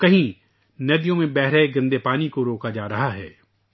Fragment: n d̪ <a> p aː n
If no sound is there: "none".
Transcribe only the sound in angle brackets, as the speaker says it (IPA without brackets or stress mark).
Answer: e